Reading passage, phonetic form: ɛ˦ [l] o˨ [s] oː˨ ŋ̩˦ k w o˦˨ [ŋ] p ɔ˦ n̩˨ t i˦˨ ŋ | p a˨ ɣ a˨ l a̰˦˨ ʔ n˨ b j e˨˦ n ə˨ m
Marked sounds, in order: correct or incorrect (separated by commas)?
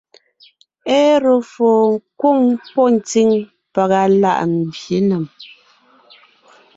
incorrect, incorrect, correct